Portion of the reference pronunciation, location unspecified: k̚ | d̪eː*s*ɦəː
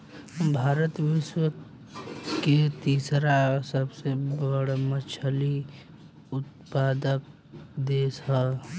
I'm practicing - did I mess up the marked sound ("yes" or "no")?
no